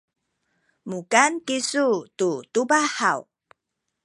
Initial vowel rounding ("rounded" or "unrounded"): rounded